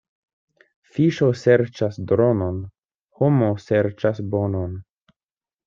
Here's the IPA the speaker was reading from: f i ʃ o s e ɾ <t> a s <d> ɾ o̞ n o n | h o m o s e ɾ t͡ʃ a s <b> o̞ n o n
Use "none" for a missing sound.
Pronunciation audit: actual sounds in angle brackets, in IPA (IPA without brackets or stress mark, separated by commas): t͡ʃ, d, b